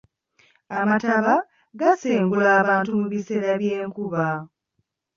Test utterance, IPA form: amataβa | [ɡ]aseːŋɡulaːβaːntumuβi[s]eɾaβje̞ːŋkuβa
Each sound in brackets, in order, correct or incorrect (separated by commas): correct, correct